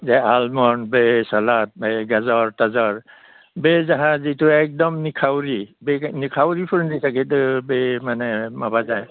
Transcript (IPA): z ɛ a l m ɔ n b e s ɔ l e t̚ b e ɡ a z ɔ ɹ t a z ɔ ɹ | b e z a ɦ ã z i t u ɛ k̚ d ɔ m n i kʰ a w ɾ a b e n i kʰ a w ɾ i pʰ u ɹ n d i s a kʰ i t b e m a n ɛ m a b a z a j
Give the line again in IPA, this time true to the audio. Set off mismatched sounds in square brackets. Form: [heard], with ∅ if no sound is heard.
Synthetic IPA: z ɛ a l m ɔ n b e s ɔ l [a] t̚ b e ɡ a z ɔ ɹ t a z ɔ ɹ | b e z a ɦ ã z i t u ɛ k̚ d ɔ m n i kʰ a w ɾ [i] b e n i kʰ a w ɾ i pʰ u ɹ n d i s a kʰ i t b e m a n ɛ m a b a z a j